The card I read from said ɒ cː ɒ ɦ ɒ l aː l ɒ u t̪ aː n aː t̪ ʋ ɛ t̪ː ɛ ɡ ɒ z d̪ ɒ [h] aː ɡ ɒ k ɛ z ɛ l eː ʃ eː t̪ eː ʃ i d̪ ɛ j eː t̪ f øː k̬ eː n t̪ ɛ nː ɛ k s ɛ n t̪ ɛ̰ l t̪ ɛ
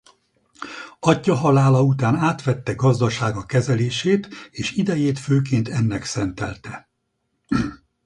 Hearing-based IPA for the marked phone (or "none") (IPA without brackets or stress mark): ʃ